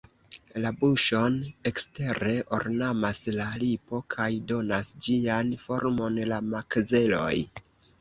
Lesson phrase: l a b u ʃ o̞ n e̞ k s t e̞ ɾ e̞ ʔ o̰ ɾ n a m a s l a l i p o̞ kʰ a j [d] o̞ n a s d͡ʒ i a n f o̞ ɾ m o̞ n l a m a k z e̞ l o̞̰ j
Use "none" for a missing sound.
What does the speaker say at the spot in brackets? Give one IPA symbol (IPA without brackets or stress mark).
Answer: d